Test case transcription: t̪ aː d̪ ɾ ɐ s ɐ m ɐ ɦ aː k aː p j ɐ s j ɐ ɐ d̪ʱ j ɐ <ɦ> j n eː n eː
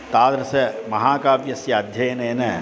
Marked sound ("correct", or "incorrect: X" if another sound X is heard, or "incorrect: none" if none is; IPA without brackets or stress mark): incorrect: none